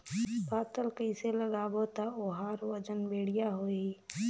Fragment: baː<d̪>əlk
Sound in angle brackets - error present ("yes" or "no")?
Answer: yes